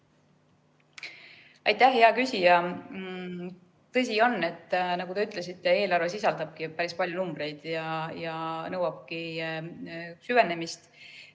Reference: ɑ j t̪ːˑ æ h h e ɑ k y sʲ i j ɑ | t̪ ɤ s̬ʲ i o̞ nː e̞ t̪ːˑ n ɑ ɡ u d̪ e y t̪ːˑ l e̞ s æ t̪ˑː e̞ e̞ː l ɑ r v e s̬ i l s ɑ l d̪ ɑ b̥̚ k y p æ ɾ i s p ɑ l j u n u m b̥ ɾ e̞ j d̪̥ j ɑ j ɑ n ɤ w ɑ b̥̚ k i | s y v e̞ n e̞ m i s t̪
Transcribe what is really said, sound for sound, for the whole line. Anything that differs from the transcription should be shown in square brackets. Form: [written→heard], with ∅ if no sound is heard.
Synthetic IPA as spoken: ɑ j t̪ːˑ æ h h e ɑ k y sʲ i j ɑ | t̪ ɤ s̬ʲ i o̞ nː e̞ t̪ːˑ n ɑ ɡ u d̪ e y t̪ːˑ l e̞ s [æ→i] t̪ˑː e̞ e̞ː l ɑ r v e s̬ i [l→∅] s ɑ l d̪ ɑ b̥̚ k [y→i] p æ ɾ i s p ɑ l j u n u m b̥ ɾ e̞ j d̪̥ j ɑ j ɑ n ɤ w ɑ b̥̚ k i | s y v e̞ n e̞ m i s t̪